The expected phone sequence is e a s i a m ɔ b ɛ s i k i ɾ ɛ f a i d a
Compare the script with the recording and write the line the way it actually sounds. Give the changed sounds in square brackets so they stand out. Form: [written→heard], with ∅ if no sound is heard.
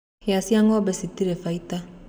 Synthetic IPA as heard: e a s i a [m→ŋ] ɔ b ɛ s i [k→t] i ɾ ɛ f a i [d→t] a

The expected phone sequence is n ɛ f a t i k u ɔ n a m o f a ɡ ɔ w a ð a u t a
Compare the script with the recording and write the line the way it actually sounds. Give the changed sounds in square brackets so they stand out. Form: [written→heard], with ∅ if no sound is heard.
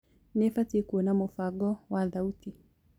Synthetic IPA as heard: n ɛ f a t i k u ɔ n a m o f a ɡ ɔ w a ð a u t [a→i]

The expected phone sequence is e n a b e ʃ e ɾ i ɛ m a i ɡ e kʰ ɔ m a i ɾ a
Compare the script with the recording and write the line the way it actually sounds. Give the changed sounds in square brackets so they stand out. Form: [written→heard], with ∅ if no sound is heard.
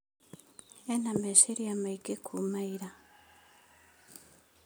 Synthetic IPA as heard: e n a [b→m] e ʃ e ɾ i [ɛ→a] m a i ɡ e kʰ [ɔ→u] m a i ɾ a

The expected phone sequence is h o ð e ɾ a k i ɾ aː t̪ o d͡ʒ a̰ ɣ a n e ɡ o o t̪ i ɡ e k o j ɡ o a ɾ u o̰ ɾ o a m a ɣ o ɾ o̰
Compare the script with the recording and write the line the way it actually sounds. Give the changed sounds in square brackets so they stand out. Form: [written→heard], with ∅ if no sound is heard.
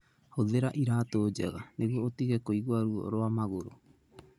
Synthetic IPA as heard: h o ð e ɾ a [k→ʔ] i ɾ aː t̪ o d͡ʒ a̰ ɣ a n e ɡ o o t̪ i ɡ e k o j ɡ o a ɾ u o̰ ɾ o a m a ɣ o ɾ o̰

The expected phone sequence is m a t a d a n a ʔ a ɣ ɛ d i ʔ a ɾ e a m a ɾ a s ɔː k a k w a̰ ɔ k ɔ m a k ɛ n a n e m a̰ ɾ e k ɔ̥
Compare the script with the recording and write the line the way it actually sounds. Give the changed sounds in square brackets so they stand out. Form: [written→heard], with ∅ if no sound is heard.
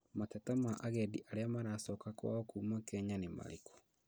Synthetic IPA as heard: m a t a [d→t] a [n→m] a ʔ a ɣ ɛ d i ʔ a ɾ e a m a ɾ a s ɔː k a k w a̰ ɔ k [ɔ→u] m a k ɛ [n→ɲ] a n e m a̰ ɾ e k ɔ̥

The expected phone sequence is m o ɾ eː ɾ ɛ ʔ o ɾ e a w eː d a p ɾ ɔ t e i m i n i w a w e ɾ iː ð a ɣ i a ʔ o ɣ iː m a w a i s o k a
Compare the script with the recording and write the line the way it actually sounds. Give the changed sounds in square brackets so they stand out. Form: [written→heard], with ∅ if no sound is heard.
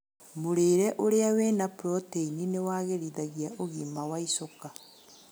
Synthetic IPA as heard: m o ɾ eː ɾ ɛ ʔ o ɾ e a w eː [d→n] a p ɾ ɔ t e i [m→n] i n [i→e] w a [w→ɣ] e ɾ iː ð a ɣ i a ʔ o ɣ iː m a w a i s o k a

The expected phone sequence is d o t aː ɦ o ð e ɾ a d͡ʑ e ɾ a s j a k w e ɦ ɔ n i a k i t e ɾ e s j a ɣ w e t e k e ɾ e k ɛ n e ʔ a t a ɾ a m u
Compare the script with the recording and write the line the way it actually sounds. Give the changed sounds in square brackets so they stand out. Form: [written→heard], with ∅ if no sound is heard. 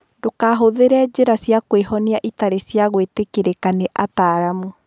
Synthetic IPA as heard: d o [t→k] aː ɦ o ð e ɾ [a→ɛ] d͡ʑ e ɾ a s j a k w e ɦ ɔ n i a [k→ʔ] i t [e→a] ɾ e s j a ɣ w e t e k e ɾ e k [ɛ→a] n e ʔ a t a ɾ a m u

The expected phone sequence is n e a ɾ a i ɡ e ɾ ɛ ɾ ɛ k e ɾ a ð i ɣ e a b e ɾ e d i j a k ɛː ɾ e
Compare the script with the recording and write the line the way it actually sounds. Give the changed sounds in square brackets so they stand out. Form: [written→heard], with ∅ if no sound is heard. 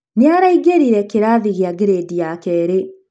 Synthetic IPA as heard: n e a ɾ a i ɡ e ɾ [ɛ→i] ɾ ɛ k e ɾ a ð i ɣ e a [b→ɡ] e ɾ e d i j a k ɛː ɾ e

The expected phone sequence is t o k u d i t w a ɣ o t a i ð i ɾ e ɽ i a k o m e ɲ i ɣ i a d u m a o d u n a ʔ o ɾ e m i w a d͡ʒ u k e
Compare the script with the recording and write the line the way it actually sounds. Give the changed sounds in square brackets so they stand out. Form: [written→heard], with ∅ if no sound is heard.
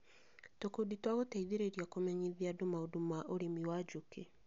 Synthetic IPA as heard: t o k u d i t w a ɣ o t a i ð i ɾ e [ɽ→ɾ] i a k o m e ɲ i [ɣ→ð] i a d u m a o d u [n→m] a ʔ o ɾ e m i w a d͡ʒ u k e

